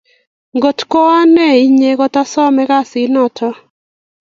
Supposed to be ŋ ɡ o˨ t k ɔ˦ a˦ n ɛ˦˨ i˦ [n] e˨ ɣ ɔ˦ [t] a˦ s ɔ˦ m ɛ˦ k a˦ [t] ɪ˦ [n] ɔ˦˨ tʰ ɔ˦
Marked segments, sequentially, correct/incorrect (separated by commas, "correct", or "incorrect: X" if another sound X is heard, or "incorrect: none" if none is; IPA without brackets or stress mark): incorrect: ɲ, correct, incorrect: s, correct